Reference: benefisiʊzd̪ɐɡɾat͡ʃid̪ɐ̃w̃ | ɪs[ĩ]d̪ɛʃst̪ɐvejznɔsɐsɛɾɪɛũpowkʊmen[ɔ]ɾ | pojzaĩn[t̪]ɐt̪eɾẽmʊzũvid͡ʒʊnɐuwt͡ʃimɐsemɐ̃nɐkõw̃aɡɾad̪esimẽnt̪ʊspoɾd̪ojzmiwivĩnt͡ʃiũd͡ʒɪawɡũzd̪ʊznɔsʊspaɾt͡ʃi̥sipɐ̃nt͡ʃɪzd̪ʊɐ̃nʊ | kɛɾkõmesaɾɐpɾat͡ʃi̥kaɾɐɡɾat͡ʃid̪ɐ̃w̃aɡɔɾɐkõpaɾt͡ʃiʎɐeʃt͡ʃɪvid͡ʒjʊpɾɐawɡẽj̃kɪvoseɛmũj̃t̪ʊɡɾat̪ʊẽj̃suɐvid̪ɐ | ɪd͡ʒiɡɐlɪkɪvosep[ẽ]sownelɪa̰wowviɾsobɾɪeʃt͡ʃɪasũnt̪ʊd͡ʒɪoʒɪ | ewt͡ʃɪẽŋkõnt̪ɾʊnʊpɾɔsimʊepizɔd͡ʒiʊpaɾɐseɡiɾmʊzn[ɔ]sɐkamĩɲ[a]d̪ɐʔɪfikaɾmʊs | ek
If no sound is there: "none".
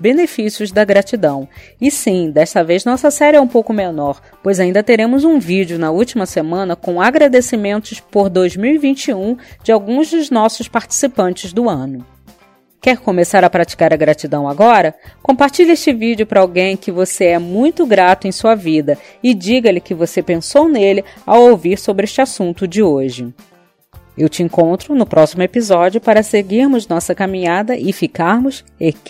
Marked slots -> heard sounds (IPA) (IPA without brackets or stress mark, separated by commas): ĩ, ɔ, d̪, ẽ, ɔ, a